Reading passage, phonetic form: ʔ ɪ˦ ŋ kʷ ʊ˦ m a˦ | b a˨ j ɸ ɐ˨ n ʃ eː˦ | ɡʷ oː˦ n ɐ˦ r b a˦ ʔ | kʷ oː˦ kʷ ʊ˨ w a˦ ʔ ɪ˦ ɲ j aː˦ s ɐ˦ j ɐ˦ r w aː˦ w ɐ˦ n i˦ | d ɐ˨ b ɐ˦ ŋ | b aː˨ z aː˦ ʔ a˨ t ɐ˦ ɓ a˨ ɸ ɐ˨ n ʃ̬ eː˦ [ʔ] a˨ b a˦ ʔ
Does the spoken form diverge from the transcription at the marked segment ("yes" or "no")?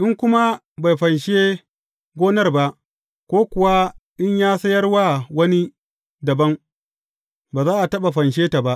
yes